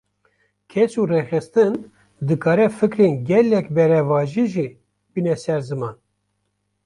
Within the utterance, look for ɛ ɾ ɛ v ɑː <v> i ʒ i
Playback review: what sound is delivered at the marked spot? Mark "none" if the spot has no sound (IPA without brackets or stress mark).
ʒ